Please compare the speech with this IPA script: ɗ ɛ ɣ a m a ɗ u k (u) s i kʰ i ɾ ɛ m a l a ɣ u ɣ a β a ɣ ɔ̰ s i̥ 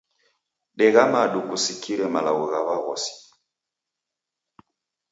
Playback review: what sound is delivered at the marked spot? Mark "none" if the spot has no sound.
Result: u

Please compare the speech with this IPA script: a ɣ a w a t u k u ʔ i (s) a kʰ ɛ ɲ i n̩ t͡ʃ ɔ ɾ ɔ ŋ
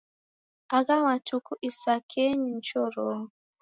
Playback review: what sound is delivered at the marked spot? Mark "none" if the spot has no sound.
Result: s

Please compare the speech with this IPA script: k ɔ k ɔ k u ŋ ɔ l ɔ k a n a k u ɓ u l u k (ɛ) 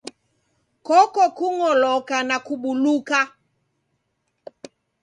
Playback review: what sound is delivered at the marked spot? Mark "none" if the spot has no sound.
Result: a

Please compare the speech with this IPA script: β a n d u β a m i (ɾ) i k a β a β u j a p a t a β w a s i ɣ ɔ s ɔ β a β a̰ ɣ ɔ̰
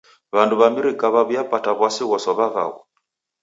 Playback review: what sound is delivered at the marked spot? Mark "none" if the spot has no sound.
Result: ɾ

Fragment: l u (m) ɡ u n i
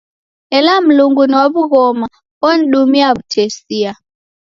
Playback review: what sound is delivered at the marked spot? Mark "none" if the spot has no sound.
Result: ŋ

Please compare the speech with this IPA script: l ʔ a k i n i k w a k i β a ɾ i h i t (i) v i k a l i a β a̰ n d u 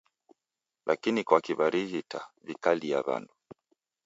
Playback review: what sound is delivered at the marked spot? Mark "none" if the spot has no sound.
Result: a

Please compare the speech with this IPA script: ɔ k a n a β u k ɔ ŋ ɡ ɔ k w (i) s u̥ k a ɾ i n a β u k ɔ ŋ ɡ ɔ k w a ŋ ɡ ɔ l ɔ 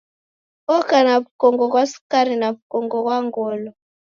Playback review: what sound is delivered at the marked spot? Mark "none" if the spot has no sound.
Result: a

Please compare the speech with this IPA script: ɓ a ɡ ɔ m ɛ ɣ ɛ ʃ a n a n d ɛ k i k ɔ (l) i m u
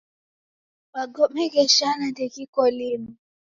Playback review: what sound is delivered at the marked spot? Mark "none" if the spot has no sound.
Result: l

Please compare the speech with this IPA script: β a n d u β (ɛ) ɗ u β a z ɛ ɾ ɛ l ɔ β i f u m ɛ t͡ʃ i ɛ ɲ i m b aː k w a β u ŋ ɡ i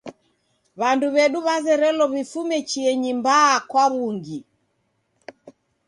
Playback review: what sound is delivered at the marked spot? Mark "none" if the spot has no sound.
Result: ɛ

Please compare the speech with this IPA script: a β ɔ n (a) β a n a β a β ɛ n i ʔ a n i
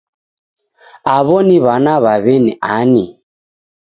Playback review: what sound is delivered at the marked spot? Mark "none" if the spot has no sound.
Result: i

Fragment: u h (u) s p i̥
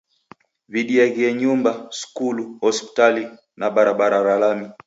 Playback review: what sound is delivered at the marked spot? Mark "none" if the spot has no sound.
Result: ɔ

